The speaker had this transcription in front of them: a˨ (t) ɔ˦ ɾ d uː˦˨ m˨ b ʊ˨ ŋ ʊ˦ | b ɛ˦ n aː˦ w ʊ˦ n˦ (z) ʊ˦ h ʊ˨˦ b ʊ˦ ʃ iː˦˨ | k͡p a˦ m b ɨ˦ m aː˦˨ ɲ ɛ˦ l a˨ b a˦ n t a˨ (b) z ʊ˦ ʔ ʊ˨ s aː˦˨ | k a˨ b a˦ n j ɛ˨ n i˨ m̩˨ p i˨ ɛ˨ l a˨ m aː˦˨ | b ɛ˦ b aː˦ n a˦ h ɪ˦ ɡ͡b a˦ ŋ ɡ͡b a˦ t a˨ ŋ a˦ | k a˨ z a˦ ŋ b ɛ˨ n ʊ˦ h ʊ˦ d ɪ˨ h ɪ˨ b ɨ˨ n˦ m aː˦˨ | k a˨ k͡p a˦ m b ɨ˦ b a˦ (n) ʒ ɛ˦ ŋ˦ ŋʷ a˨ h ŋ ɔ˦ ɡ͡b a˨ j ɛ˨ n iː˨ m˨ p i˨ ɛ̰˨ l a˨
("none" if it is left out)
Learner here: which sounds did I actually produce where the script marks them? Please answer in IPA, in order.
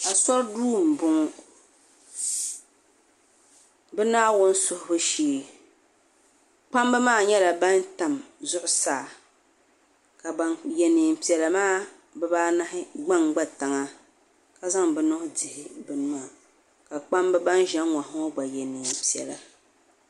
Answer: s, s, m, n

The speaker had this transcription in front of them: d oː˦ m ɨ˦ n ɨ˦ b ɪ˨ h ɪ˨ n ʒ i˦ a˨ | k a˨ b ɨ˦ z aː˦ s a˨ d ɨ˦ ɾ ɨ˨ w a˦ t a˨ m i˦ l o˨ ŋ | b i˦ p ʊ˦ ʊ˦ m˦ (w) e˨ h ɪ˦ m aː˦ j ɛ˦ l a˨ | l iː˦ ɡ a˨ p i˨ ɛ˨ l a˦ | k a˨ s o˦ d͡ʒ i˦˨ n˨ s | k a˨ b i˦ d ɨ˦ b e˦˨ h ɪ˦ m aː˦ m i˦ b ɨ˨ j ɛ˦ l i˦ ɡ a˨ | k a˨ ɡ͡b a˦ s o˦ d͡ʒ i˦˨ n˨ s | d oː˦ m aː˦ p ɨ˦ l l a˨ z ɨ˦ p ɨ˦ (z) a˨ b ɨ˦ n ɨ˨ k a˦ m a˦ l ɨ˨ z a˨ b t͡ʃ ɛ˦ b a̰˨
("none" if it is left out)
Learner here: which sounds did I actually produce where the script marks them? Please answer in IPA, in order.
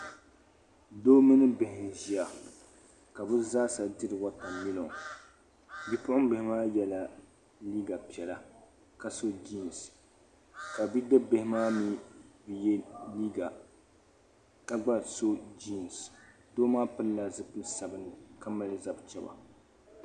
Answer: b, s

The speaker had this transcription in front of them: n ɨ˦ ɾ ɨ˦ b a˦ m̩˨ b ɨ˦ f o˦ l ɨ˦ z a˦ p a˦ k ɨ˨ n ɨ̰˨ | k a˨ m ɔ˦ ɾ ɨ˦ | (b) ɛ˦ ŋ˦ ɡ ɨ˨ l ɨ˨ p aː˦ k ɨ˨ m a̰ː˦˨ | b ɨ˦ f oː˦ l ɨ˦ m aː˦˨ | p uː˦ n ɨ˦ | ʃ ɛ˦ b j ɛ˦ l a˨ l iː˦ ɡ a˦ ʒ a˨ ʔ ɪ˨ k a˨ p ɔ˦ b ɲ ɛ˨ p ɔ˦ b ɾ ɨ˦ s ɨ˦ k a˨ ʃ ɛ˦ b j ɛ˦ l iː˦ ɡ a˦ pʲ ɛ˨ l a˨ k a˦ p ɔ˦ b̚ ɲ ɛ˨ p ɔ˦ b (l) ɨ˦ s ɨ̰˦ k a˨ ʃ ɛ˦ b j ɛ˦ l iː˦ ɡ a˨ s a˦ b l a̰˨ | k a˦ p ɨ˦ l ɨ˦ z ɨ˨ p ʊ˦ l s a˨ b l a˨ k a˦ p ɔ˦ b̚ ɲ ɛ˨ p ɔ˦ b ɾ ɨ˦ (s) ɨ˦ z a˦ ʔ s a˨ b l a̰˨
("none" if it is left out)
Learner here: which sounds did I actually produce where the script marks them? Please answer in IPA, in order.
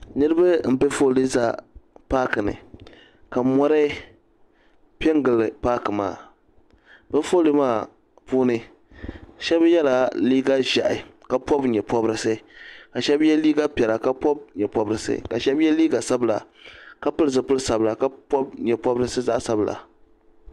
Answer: p, ɾ, s

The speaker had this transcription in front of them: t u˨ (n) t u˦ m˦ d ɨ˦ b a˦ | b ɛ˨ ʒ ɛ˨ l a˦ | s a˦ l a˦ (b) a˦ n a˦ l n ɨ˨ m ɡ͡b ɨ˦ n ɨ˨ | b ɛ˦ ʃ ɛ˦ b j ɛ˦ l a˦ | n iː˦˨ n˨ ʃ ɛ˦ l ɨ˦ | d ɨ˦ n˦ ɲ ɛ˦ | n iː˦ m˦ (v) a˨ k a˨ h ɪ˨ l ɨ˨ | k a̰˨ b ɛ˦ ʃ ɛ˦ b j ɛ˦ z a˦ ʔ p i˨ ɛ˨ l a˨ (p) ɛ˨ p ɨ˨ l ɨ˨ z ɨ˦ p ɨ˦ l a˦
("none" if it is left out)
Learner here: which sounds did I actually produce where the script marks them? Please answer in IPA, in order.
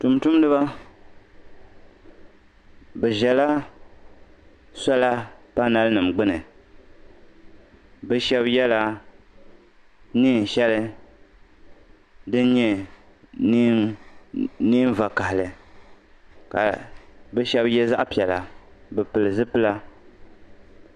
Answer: m, p, v, b

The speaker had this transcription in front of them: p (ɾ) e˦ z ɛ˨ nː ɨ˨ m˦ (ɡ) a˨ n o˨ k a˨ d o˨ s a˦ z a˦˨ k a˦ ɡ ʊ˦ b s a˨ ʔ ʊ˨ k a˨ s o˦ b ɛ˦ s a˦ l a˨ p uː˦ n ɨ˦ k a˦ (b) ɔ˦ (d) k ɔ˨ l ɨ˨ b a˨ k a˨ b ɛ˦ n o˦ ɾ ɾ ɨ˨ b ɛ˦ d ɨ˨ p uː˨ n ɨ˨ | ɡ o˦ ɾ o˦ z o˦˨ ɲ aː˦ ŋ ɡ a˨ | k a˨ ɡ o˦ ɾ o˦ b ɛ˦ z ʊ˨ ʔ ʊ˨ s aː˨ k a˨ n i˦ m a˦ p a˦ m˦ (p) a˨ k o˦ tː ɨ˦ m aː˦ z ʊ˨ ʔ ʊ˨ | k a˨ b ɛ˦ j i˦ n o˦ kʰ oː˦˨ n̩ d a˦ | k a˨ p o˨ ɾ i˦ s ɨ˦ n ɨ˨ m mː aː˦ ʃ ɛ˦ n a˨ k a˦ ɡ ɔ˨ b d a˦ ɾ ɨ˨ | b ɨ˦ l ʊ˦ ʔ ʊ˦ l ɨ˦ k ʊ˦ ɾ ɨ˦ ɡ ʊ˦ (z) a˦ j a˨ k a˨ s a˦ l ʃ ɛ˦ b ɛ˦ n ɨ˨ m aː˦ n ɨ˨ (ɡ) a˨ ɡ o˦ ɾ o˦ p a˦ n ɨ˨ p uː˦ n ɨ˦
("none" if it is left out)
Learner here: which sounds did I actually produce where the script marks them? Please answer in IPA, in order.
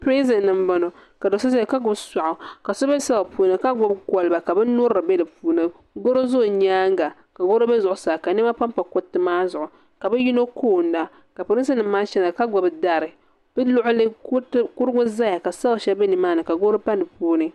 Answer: ɾ, b, ɡ, b, p, z, k

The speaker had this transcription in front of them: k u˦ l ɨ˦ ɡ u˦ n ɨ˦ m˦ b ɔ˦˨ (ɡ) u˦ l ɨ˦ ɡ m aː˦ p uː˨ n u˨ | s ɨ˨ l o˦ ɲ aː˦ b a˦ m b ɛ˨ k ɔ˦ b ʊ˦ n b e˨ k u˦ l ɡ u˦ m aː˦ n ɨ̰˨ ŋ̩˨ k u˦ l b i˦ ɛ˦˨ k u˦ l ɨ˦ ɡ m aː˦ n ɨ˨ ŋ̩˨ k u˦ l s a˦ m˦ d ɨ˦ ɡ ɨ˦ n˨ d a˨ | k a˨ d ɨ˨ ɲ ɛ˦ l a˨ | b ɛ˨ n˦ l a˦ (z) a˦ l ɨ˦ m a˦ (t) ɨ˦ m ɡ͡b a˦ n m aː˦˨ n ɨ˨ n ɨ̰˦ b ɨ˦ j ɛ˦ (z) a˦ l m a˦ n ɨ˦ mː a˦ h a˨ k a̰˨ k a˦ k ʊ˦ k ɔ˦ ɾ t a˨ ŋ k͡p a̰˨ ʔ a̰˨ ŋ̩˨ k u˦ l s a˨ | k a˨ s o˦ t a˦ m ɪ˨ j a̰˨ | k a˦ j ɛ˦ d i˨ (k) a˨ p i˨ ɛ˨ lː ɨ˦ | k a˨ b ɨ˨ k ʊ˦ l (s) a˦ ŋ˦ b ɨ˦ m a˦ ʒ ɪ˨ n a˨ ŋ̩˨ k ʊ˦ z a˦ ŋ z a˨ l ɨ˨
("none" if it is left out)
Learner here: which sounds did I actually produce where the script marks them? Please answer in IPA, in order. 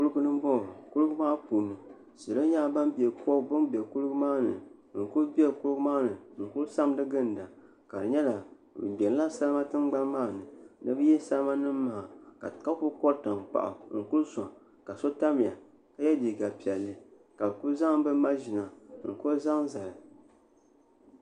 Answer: k, s, t, s, ɡ, z

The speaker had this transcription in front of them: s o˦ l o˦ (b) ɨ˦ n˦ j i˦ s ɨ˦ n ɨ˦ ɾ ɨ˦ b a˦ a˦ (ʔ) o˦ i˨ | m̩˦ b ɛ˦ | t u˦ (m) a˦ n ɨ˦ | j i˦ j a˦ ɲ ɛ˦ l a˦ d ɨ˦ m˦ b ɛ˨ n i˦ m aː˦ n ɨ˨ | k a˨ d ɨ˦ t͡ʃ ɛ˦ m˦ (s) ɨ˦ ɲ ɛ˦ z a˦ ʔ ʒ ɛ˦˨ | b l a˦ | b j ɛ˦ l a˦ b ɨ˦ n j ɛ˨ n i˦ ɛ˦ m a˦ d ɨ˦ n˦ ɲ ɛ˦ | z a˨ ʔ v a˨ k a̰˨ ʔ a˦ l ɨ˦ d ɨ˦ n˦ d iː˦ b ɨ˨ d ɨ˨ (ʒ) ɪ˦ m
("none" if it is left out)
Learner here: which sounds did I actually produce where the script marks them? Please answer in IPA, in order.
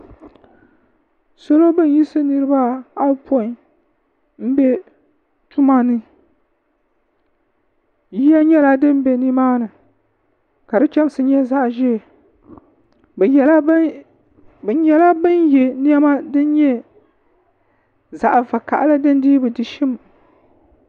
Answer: b, p, m, s, ʃ

